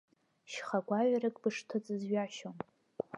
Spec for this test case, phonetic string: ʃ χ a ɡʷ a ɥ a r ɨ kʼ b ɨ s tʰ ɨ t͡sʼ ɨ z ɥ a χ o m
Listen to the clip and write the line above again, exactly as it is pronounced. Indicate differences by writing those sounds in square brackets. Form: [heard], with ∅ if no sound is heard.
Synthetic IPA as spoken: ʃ χ a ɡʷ a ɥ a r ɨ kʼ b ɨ [ʂ] tʰ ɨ t͡sʼ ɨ z ɥ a [ʃ] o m